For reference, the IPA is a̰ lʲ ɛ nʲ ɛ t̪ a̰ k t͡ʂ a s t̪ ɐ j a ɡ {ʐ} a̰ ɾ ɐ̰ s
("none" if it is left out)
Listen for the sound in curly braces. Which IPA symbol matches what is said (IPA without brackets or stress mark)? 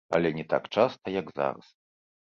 z